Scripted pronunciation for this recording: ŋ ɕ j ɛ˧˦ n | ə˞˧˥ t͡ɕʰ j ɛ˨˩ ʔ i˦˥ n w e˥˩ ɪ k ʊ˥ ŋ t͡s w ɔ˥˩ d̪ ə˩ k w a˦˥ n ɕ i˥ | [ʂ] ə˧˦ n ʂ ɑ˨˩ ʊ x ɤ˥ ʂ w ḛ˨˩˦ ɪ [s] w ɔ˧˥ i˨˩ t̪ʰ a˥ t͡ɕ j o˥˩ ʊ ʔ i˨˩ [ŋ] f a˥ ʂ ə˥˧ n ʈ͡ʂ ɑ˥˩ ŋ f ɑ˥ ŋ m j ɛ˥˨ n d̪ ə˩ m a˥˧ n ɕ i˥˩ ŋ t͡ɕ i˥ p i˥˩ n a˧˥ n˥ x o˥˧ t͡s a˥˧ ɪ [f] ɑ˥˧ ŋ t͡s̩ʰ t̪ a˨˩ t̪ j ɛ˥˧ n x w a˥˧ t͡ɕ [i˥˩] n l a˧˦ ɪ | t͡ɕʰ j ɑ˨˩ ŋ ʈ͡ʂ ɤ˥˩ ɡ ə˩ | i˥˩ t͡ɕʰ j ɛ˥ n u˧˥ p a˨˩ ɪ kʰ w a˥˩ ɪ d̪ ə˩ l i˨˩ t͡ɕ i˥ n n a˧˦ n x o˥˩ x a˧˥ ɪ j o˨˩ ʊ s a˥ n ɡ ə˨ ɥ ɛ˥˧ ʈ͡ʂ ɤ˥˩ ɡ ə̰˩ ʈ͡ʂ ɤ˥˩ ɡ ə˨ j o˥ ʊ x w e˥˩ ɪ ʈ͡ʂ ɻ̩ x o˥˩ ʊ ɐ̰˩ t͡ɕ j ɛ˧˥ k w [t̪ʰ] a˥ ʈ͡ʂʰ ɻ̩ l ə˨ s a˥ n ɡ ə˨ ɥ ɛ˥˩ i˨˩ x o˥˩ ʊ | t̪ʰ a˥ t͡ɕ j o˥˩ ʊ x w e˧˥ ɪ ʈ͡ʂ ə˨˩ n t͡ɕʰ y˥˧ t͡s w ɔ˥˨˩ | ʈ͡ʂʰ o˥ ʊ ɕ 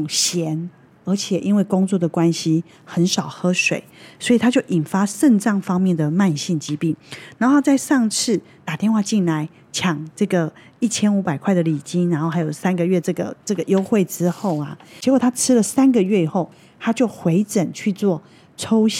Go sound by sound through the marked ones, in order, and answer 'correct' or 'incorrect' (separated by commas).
incorrect, correct, incorrect, incorrect, correct, correct